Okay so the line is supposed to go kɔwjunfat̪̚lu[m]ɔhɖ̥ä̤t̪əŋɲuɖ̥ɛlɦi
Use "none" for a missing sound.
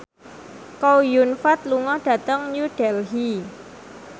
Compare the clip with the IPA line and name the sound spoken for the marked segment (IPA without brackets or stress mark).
ŋ